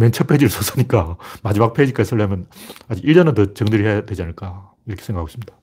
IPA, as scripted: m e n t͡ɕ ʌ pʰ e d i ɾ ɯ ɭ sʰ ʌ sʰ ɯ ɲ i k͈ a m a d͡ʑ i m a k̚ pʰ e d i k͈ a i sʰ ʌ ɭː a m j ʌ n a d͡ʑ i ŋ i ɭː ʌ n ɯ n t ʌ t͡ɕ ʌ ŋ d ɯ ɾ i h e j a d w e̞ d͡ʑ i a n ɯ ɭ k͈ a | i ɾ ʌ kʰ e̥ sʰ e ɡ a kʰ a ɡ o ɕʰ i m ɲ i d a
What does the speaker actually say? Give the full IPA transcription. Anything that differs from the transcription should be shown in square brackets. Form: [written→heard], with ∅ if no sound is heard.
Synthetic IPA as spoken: m e n [t͡ɕ→t͡ɕʰ] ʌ pʰ e [d→d͡ʑ] i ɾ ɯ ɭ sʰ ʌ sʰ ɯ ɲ i k͈ a m a d͡ʑ i m a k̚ pʰ e [d→d͡ʑ] i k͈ a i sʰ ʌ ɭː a m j ʌ n a d͡ʑ i [ŋ→ɡ] i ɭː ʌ n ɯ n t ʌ t͡ɕ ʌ ŋ d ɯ ɾ i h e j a d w e̞ d͡ʑ i a n ɯ ɭ k͈ a | i ɾ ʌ kʰ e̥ sʰ e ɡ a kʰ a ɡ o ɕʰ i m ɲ i d a